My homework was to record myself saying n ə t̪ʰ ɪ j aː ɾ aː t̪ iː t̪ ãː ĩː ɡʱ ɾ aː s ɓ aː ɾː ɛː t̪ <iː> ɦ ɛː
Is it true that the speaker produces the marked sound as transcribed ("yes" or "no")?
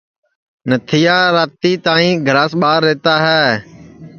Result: no